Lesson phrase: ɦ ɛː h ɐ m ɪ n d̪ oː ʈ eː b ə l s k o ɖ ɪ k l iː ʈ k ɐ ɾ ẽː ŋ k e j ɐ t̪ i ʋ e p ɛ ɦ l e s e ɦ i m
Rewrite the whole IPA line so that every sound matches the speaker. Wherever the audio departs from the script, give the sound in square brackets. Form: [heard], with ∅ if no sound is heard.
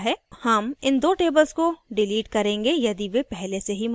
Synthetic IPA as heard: ɦ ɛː h ɐ m ɪ n d̪ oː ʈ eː b ə l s k o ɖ ɪ [∅] l iː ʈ k ɐ ɾ ẽː ŋ [ɡ] e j ɐ [d̪] i ʋ e p ɛ ɦ l e s e ɦ i m